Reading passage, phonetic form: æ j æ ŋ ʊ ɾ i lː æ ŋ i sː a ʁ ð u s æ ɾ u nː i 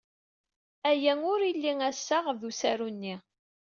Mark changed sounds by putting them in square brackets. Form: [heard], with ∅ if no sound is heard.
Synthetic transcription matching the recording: æ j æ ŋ ʊ ɾ i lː [i] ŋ [æ] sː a ʁ ð u s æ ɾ u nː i